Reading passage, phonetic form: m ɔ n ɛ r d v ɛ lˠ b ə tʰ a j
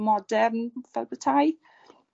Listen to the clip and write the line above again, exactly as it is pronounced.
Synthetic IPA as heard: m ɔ d ɛ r n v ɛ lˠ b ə tʰ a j